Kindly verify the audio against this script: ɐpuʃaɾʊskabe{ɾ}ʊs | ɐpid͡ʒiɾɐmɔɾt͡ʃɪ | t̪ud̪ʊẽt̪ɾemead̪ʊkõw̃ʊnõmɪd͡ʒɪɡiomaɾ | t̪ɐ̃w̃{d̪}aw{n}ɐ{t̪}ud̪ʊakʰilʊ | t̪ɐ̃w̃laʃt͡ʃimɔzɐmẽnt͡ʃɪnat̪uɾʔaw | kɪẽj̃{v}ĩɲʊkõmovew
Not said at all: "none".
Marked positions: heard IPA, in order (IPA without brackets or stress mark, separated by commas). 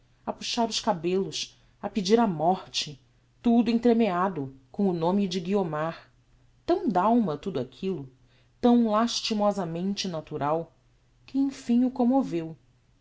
l, d̪, m, t̪, f